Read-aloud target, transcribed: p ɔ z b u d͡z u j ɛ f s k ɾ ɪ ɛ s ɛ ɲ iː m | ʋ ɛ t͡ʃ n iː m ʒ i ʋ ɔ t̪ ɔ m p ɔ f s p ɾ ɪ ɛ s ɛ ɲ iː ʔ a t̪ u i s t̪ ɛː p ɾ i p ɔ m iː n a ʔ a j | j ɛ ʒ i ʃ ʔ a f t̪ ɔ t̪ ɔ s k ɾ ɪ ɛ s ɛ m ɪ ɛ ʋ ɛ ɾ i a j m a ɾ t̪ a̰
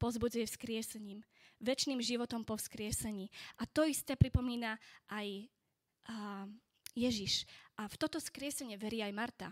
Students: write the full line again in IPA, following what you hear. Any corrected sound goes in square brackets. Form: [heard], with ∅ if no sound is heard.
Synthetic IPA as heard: p ɔ z b u d͡z u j ɛ f s k ɾ ɪ ɛ s ɛ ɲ iː m | ʋ ɛ t͡ʃ n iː m ʒ i ʋ ɔ t̪ ɔ m p ɔ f s [k] ɾ ɪ ɛ s ɛ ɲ iː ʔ a t̪ [ɔ] i s t̪ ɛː p ɾ i p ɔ m iː n a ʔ a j | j ɛ ʒ i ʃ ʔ a f t̪ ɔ t̪ ɔ s k ɾ ɪ ɛ s ɛ [ɲ] ɪ ɛ ʋ ɛ ɾ i a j m a ɾ t̪ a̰